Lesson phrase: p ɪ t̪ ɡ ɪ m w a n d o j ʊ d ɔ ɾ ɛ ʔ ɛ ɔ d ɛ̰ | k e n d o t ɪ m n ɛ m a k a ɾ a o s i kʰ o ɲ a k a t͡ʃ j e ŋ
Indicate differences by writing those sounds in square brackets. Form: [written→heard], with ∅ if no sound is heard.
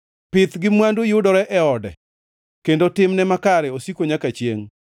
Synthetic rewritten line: p ɪ t̪ ɡ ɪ m w a n d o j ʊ d ɔ ɾ ɛ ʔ ɛ ɔ d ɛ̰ | k e n d o t ɪ m n ɛ m a k a ɾ [a→ɛ] o s i [kʰ→k] o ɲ a k a t͡ʃ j e ŋ